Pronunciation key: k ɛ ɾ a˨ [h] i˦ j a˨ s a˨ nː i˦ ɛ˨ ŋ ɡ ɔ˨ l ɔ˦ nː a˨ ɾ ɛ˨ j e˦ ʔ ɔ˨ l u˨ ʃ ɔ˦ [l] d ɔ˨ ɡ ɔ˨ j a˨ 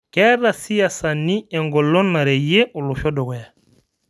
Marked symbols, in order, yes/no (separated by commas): no, no